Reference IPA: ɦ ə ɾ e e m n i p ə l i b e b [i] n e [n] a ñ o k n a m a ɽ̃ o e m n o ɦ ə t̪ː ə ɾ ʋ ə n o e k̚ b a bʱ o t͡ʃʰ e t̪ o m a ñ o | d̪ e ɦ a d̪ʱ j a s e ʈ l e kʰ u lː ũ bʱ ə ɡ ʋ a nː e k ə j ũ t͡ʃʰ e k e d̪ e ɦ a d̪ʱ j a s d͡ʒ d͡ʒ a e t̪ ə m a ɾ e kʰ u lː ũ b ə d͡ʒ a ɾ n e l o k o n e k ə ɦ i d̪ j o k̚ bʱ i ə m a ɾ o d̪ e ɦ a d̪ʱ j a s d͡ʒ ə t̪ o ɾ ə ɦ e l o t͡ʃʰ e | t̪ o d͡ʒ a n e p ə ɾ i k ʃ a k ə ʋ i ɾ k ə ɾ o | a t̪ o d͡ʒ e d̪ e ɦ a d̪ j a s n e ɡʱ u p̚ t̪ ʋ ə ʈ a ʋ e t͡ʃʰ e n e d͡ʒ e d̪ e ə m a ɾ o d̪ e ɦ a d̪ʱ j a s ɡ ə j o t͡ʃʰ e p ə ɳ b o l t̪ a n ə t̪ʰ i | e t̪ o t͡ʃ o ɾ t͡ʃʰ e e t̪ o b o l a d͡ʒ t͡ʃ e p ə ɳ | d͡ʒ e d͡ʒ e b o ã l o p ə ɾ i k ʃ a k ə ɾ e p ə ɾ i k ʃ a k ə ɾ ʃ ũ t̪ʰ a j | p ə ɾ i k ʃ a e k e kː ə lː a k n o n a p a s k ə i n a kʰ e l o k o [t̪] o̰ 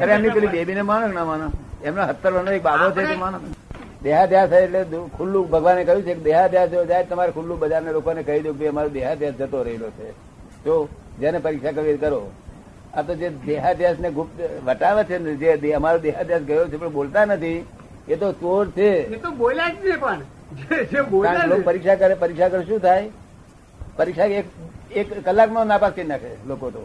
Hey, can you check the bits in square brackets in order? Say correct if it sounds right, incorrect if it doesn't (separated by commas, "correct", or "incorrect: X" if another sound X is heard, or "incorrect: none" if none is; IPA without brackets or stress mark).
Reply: correct, incorrect: m, correct